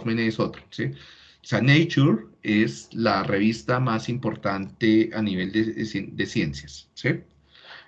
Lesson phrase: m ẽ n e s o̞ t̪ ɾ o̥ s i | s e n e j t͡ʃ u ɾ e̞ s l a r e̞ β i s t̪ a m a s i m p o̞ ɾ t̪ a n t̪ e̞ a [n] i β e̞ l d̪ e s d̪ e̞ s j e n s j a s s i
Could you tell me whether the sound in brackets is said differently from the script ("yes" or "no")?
no